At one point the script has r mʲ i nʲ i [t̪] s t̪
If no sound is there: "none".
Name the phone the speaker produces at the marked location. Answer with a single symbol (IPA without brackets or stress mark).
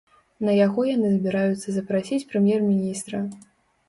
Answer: none